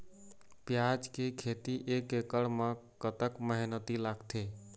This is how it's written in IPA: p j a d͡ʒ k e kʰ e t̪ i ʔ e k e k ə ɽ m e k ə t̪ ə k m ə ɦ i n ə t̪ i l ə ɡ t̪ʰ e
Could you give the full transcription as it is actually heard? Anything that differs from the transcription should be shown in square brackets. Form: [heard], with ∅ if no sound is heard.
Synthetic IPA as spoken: p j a d͡ʒ k e kʰ e t̪ i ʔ e k e k ə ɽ m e k ə t̪ ə k m ə ɦ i n ə t̪ i l [a] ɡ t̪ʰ e